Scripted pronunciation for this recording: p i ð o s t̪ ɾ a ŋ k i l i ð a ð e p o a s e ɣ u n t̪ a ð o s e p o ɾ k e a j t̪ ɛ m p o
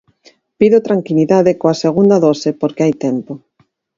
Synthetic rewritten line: p i ð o t̪ ɾ a ŋ k i l i ð a ð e k o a s e ɣ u n d̪ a ð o s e p o ɾ k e a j t̪ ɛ m p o

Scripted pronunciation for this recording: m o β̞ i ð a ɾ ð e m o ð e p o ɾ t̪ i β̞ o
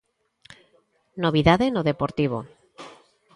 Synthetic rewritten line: n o β̞ i ð a ð e n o ð e p o ɾ t̪ i β̞ o

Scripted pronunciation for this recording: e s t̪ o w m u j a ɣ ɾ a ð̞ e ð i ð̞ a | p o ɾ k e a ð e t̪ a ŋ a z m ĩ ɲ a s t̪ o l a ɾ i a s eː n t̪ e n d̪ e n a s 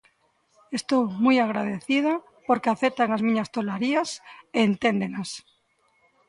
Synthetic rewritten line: e s t̪ o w m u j a ɣ ɾ a ð̞ e θ i ð̞ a | p o ɾ k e a θ e t̪ a ŋ a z m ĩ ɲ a s t̪ o l a ɾ i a s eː n t̪ e n d̪ e n a s

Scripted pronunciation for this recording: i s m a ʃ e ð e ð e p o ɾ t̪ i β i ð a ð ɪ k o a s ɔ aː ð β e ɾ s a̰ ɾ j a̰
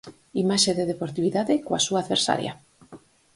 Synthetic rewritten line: i m a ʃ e ð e ð e p o ɾ t̪ i β i ð a ð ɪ k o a s u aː ð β e ɾ s a̰ ɾ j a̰

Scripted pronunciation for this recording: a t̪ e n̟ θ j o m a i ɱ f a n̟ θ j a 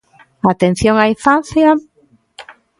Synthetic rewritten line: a t̪ e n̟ θ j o ŋ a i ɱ f a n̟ θ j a

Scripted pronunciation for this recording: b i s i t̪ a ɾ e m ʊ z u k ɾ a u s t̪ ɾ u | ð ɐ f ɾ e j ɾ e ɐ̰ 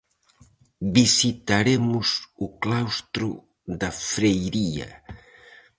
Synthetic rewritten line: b i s i t̪ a ɾ e m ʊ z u k l a w s t̪ ɾ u | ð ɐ f ɾ e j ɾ i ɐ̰

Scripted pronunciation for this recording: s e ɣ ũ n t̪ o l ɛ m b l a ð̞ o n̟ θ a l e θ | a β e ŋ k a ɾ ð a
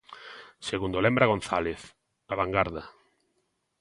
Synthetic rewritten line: s e ɣ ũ n d̪ o l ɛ m b ɾ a ɣ̞ o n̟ θ a l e θ | a β a ŋ ɡ a ɾ ð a

